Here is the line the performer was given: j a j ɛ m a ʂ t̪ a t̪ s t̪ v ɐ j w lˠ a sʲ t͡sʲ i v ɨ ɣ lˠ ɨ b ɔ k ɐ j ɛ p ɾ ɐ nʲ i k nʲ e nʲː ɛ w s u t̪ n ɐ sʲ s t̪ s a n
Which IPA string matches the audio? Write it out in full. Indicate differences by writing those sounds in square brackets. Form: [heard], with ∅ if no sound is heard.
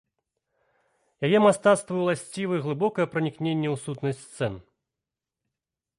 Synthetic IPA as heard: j a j ɛ m a [s] t̪ a t̪ s t̪ v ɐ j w lˠ a sʲ t͡sʲ i v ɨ ɣ lˠ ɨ b ɔ k ɐ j ɛ p ɾ ɐ nʲ i k nʲ e nʲː ɛ w s u t̪ n ɐ sʲ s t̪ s [ɛ] n